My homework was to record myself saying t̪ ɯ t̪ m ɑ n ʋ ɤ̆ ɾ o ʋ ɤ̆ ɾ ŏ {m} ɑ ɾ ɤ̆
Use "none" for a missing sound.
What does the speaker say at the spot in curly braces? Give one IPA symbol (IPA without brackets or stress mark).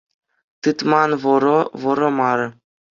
m